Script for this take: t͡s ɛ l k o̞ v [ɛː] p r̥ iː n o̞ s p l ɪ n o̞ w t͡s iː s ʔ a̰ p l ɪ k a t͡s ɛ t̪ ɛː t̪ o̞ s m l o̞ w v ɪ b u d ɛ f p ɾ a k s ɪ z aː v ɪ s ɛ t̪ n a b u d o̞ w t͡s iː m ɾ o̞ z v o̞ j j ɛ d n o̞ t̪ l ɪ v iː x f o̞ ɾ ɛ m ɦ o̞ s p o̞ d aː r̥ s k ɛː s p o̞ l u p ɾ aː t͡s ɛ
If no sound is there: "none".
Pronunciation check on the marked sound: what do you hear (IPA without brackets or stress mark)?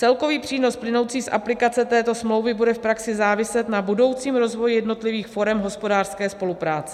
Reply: iː